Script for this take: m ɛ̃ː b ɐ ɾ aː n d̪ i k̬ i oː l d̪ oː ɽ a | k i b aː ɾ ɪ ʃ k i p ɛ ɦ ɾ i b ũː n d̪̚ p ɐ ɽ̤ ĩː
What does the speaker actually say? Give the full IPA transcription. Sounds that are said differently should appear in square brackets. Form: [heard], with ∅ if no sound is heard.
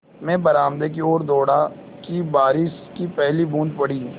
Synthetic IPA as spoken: m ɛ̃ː b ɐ ɾ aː [m] d̪ [e] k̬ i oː [ɾ] d̪ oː ɽ a | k i b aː ɾ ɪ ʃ k i p ɛ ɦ [l] i b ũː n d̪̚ p ɐ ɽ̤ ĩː